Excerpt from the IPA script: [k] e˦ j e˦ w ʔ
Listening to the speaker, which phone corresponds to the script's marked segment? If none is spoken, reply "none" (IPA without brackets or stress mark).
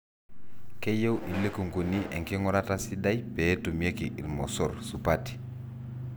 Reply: k